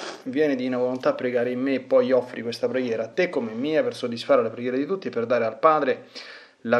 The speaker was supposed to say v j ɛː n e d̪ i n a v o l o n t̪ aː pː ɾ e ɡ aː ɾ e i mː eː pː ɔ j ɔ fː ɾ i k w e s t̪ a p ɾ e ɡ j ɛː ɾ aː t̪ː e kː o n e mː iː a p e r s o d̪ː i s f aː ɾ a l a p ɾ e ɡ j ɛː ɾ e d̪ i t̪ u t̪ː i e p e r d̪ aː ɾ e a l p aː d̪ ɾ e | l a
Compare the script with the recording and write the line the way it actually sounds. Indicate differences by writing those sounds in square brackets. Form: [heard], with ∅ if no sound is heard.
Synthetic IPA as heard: v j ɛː n e d̪ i n a v o l o n t̪ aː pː ɾ e ɡ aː ɾ e i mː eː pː ɔ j ɔ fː ɾ i k w e s t̪ a p ɾ e ɡ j ɛː ɾ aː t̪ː e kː o [m] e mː iː a p e r s o d̪ː i s f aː ɾ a l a p ɾ e ɡ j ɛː ɾ e d̪ i t̪ u t̪ː i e p e r d̪ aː ɾ e a l p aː d̪ ɾ e | l a